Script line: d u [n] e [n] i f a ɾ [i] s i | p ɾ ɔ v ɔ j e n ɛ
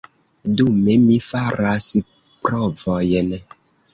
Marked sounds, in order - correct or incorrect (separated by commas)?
incorrect, incorrect, incorrect